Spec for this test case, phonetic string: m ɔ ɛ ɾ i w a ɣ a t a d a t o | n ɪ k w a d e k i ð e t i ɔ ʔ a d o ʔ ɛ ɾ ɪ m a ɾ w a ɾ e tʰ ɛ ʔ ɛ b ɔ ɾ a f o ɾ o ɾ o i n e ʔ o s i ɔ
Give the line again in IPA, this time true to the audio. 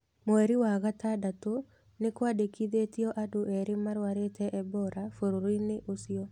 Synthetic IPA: m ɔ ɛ ɾ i w a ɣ a t a d a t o | n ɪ k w a d e k i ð e t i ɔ ʔ a d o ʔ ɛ ɾ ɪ m a ɾ w a ɾ e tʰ ɛ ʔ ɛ b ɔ ɾ a f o ɾ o ɾ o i n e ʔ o s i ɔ